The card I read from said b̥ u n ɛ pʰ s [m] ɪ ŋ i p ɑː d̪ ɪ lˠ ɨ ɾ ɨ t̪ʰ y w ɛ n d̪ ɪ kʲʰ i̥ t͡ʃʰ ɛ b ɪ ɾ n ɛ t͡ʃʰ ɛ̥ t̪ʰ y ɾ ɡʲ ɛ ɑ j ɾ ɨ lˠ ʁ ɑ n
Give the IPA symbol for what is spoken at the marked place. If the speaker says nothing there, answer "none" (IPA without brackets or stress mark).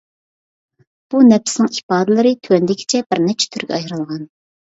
n